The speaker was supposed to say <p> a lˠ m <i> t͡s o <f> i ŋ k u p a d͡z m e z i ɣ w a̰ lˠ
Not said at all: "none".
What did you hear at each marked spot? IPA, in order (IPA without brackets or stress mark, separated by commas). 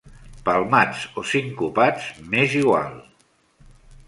p, a, s